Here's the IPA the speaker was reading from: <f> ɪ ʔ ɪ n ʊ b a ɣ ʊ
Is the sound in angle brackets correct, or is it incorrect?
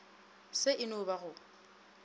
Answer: incorrect